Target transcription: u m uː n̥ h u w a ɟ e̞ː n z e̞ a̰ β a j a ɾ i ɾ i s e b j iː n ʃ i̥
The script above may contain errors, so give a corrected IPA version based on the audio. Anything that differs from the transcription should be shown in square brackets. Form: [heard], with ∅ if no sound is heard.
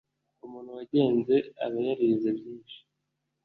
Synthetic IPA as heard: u m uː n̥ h u w a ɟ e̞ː n z e̞ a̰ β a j a ɾ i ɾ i [z] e b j iː n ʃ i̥